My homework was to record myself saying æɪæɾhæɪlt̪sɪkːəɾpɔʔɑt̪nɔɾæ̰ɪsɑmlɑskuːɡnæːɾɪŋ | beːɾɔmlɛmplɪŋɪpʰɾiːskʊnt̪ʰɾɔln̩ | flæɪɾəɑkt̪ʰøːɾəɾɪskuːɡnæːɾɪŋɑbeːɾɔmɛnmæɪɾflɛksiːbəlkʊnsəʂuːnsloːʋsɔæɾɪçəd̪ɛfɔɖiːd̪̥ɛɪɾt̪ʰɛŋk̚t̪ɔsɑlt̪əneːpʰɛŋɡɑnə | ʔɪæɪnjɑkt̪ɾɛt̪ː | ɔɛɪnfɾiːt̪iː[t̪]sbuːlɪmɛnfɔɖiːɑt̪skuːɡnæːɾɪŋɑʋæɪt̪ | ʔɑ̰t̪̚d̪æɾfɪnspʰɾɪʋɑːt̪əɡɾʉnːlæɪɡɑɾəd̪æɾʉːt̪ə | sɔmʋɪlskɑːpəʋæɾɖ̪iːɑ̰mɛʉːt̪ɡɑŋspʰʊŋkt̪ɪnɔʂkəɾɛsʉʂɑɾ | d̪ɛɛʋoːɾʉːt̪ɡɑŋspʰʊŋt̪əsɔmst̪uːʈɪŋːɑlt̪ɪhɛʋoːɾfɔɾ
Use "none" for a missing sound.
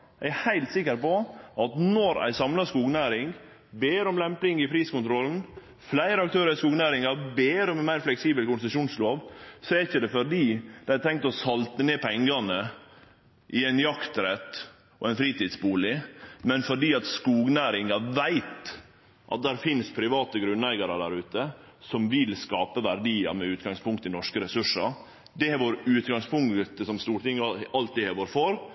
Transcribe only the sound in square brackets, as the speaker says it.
d̪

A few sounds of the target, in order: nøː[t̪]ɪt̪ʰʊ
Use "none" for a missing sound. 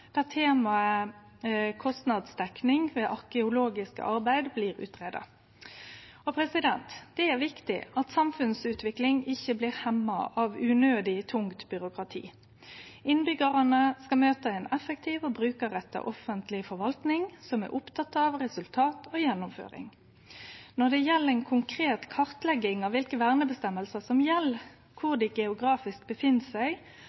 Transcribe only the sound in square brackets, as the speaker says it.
d̪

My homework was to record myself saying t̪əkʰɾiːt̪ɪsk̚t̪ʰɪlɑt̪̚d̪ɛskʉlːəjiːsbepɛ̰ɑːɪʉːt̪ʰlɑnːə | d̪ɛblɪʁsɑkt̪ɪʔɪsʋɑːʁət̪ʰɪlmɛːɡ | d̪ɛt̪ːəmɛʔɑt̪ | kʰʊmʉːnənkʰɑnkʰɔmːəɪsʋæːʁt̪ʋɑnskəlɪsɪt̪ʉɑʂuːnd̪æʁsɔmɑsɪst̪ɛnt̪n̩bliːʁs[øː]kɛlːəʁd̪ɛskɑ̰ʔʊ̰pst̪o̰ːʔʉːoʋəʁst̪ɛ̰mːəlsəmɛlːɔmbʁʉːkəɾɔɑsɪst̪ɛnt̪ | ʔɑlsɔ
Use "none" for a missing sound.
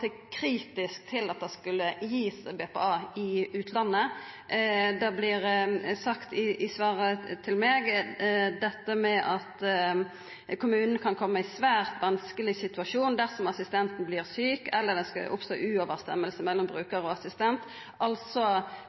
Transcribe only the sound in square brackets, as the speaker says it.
yː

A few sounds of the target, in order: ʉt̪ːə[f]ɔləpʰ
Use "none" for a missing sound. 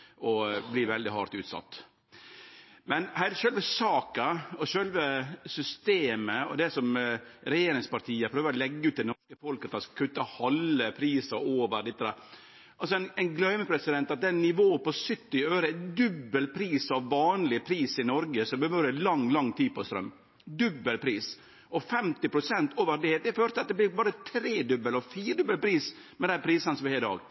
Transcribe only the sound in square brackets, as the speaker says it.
h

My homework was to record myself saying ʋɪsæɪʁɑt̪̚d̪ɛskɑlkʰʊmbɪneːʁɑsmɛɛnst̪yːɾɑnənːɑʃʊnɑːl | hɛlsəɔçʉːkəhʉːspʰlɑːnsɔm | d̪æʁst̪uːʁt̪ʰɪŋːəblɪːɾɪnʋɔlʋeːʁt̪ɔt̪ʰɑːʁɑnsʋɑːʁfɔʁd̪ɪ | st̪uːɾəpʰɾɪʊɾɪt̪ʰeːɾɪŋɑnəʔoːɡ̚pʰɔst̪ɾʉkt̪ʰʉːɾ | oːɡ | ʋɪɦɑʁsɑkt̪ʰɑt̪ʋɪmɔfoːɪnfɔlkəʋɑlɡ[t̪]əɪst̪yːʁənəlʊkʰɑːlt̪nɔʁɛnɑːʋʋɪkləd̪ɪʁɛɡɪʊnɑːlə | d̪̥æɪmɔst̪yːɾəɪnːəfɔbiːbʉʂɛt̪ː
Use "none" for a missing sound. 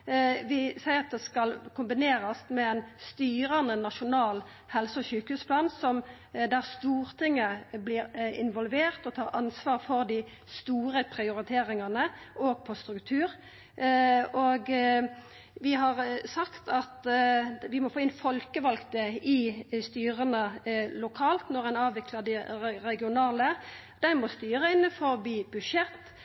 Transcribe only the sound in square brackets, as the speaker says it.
t̪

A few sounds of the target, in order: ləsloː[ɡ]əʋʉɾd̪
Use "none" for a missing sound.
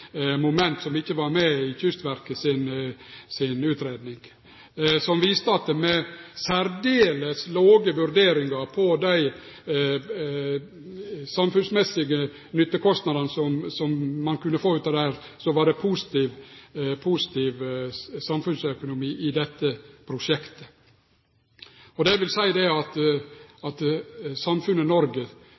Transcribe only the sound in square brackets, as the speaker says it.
ɡ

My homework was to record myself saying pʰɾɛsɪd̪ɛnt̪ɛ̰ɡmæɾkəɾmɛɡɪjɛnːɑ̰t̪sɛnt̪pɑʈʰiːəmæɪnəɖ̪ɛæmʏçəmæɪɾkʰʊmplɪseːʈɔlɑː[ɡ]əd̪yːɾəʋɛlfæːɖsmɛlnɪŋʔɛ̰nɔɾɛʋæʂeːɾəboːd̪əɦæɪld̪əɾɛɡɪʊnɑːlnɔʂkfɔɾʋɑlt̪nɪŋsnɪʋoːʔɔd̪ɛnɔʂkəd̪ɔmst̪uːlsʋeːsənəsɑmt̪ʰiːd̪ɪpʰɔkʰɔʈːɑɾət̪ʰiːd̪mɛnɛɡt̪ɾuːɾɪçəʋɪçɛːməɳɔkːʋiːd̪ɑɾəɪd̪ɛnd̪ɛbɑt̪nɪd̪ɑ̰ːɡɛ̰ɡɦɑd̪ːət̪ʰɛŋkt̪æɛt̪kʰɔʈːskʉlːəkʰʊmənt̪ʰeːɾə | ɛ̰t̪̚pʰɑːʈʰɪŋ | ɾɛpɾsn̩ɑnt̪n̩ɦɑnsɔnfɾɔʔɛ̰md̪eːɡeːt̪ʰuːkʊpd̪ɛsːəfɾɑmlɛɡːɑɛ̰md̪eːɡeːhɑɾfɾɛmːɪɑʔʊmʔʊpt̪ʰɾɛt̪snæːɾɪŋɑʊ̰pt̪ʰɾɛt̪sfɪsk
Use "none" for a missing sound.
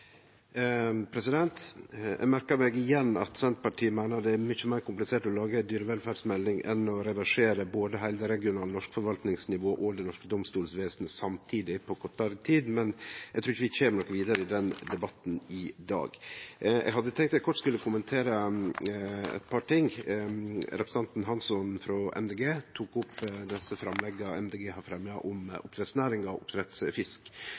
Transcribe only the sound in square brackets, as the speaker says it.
ɡ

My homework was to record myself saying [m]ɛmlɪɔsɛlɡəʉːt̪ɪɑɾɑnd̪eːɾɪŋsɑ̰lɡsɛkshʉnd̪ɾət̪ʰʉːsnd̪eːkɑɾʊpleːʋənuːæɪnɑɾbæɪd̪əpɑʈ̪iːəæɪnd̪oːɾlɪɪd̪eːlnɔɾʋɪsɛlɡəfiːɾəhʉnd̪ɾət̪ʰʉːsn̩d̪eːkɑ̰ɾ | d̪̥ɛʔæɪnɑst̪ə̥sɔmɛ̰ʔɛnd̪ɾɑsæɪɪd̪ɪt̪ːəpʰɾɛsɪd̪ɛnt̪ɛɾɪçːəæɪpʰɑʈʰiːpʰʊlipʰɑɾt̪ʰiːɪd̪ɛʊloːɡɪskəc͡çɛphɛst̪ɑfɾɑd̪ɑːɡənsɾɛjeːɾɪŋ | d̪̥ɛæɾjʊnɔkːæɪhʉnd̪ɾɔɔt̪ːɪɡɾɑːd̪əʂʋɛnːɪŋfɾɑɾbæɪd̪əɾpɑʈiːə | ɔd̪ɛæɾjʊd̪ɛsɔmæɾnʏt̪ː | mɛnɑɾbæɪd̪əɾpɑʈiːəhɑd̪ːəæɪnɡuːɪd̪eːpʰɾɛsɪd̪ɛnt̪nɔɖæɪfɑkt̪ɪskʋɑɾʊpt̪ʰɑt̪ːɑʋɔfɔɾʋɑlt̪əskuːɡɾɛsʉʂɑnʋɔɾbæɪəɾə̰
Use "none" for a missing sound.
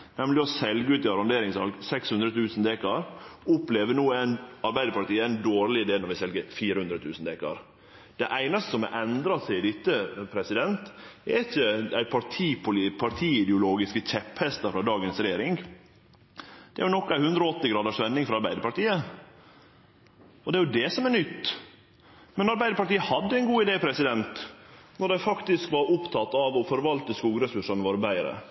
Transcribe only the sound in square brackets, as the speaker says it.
n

